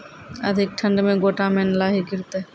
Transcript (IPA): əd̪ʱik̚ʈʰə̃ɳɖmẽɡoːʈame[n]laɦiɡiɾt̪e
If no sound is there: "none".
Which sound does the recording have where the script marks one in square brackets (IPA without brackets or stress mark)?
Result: n